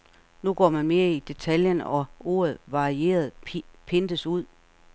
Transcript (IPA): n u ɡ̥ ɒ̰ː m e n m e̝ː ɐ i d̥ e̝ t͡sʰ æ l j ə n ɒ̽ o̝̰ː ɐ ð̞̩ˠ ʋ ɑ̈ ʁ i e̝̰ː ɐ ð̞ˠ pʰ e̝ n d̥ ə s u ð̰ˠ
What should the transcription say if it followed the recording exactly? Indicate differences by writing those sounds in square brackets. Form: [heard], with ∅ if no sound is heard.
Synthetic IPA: n u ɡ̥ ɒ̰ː m [æ] n m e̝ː ɐ i d̥ e̝ t͡sʰ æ l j ə n ɒ̽ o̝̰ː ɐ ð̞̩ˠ ʋ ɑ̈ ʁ i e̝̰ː ɐ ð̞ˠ pʰ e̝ n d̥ ə s u ð̰ˠ